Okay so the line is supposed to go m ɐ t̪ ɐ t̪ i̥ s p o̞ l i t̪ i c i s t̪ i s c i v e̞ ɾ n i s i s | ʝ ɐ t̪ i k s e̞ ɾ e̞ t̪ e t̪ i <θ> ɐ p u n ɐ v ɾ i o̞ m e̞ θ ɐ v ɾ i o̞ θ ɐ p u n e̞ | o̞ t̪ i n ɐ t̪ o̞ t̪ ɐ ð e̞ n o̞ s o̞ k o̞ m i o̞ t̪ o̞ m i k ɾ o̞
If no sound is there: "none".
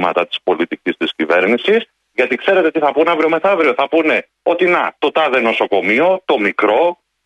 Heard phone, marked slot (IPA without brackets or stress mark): θ